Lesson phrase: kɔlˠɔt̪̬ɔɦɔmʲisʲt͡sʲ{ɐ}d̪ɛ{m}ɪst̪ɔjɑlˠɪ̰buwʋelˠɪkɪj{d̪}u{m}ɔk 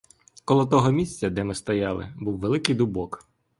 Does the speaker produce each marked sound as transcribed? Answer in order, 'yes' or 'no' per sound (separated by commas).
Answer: yes, yes, yes, no